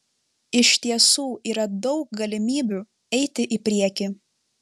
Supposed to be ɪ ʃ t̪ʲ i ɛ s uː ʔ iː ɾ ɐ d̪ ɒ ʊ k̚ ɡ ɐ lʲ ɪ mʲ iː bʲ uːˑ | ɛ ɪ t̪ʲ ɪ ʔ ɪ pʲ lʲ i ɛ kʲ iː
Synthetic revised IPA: ɪ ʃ t̪ʲ i ɛ s uː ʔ iː ɾ ɐ d̪ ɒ ʊ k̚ ɡ ɐ lʲ ɪ mʲ iː bʲ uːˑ | ɛ ɪ t̪ʲ ɪ ʔ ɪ pʲ ɾʲ i ɛ kʲ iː